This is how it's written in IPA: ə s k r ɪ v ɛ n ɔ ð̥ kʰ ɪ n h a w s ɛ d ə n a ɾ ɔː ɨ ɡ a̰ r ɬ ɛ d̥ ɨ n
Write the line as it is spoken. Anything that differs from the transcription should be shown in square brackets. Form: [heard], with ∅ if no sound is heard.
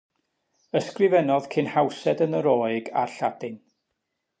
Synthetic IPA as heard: ə s k r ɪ v ɛ n ɔ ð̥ kʰ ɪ n h a w s ɛ d ə n [ə] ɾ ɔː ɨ ɡ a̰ r ɬ [a] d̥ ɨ n

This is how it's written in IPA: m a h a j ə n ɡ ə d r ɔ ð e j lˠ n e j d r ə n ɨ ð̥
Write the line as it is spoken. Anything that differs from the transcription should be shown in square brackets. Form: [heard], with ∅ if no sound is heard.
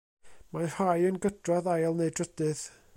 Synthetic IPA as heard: m a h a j ə n ɡ ə d r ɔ ð [a] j lˠ n e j d r ə [d] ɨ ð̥

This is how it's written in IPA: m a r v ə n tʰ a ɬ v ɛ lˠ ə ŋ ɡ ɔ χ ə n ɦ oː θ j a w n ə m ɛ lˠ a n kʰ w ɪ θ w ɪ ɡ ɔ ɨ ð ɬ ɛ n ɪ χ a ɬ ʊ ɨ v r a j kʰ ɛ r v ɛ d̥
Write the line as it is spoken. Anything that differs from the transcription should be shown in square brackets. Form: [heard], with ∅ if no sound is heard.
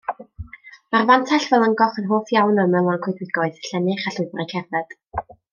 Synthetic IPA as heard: m a r v [a] n tʰ a ɬ v ɛ lˠ ə ŋ ɡ ɔ χ ə n ɦ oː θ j a w n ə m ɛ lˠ a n kʰ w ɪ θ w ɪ ɡ ɔ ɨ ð ɬ ɛ n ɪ χ a ɬ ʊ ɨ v r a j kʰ ɛ r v ɛ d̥

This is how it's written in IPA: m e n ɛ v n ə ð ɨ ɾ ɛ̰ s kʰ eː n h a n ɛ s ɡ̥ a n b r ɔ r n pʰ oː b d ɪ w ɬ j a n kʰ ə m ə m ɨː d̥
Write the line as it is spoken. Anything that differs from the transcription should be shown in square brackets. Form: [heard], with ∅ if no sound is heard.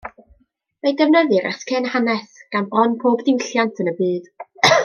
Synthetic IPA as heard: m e [d] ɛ v n ə ð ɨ ɾ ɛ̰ s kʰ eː n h a n ɛ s ɡ̥ a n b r ɔ [∅] n pʰ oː b d ɪ w ɬ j a n [tʰ] ə [n] ə [b] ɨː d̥

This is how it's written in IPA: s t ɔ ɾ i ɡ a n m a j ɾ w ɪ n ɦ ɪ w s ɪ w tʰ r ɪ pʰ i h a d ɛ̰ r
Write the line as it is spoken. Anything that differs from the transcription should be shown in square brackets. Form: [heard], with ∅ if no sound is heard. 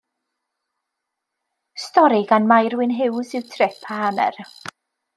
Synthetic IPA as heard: s t ɔ ɾ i ɡ a n m a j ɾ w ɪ n ɦ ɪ w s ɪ w tʰ r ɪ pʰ [a] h a [n] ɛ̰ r

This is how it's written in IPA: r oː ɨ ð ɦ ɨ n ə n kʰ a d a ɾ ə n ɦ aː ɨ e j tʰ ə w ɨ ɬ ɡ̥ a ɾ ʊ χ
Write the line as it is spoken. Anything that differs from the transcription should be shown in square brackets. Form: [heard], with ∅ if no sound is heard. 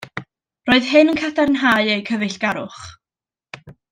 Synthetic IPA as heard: r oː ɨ ð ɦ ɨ n ə n kʰ a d a ɾ ə n ɦ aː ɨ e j [kʰ] ə [v] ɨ ɬ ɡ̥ a ɾ ʊ χ

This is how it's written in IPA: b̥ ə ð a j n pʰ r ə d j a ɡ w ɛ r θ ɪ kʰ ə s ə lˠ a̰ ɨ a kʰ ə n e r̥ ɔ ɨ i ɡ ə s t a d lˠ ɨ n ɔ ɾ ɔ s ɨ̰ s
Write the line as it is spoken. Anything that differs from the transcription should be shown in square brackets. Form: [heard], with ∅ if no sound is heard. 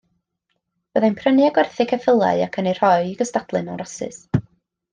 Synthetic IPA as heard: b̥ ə ð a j n pʰ r ə [n] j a ɡ w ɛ r θ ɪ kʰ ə [f] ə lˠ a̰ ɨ a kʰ ə n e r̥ ɔ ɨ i ɡ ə s t a d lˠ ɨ n ɔ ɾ ɔ s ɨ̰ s

